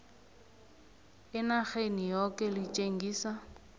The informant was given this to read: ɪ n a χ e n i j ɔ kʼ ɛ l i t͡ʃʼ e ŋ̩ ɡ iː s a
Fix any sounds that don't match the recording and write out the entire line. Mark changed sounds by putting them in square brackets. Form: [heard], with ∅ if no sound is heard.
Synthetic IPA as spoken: ɪ n a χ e n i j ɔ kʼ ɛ l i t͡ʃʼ e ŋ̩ ɡ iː s a